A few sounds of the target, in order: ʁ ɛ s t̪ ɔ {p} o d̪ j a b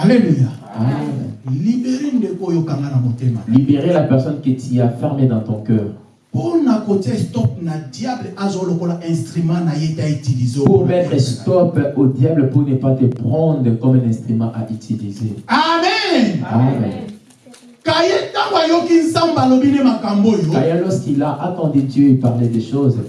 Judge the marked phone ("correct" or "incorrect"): correct